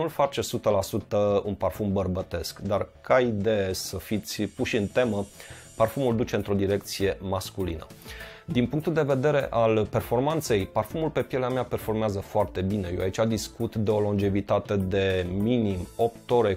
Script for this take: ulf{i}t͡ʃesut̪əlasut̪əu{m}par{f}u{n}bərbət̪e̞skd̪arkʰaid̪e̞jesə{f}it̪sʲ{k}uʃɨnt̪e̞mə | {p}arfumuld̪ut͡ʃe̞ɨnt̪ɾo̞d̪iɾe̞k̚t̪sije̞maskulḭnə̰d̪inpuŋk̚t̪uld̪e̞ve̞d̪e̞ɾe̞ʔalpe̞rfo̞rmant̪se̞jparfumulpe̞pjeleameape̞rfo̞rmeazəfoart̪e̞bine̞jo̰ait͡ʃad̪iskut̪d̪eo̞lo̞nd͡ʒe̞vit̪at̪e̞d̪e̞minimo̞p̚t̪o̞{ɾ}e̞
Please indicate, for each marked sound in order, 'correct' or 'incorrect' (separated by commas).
incorrect, incorrect, correct, incorrect, correct, incorrect, correct, correct